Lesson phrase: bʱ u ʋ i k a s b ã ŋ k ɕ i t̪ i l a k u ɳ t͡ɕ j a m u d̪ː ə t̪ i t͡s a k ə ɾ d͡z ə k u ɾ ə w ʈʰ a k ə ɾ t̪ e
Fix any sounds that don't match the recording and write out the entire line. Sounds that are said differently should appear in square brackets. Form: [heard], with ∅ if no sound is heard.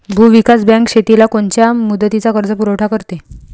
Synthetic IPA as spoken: bʱ u ʋ i k a s b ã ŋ k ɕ [e] t̪ i l a k [o] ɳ t͡ɕ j a m u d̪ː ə t̪ i t͡s a k ə ɾ d͡z ə [p] u ɾ ə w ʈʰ a k ə ɾ t̪ e